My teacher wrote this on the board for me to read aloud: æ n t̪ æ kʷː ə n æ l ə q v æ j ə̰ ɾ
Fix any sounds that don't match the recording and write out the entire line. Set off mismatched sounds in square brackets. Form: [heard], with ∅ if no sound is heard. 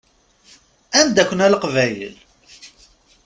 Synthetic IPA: æ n [d̪] æ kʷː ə n æ l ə q v æ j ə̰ [l]